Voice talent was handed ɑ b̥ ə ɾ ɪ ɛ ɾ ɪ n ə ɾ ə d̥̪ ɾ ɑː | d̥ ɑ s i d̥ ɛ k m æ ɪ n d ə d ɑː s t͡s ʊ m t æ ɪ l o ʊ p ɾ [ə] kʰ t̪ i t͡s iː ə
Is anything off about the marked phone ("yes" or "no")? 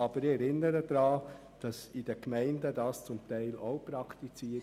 yes